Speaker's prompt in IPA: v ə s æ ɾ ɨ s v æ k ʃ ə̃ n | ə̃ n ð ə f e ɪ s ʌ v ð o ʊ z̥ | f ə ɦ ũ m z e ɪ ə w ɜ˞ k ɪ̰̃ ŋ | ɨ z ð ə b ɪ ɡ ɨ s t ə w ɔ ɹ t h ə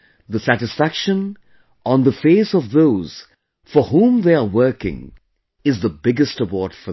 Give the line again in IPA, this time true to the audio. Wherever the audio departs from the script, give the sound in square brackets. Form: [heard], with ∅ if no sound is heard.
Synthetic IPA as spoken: [ð] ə s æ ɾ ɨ s [f] æ k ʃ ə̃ n | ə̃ n ð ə f e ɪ s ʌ v ð o ʊ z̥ | f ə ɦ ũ m [ð] e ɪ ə w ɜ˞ k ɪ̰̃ ŋ | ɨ z ð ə b ɪ ɡ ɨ s t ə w ɔ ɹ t [f] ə